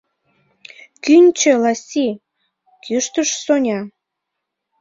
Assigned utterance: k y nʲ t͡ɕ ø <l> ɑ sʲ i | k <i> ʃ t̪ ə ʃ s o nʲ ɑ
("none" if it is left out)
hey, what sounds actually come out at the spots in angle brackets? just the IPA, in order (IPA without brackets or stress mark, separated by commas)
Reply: l, y